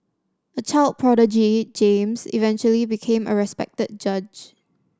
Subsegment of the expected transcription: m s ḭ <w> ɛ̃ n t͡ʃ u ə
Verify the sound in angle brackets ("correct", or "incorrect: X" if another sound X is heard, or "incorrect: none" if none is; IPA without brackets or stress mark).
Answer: incorrect: v